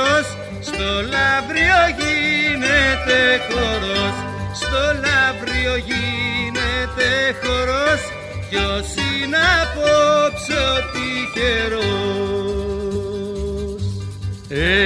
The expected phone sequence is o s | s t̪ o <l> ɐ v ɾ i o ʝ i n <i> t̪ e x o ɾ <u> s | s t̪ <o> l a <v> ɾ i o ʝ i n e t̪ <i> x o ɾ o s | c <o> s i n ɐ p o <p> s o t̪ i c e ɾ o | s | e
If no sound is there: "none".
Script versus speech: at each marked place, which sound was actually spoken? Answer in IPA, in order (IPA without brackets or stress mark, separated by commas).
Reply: l, e, o, o, v, e, o, p